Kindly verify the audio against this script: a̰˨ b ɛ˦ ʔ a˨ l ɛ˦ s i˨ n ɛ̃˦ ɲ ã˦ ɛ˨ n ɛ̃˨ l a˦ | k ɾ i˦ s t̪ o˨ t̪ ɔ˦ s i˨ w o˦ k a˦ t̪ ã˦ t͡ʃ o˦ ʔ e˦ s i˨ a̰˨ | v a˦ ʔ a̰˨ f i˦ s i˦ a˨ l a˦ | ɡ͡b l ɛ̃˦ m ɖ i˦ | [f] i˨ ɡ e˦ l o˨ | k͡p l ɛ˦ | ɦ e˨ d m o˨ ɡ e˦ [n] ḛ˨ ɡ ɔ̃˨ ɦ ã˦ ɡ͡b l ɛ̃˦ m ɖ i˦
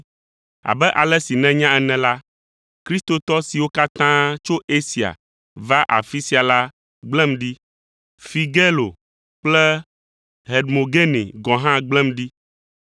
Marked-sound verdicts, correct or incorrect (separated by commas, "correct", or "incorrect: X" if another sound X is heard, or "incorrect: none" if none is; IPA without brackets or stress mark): correct, correct